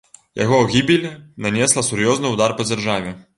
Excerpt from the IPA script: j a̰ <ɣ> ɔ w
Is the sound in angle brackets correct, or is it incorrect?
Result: correct